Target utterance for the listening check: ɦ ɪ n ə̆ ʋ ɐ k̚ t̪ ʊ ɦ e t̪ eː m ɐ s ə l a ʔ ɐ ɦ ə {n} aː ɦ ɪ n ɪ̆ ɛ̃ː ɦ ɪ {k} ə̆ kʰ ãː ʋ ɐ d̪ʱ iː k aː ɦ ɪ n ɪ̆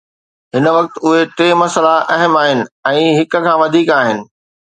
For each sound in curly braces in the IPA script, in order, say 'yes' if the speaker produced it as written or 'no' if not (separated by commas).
no, yes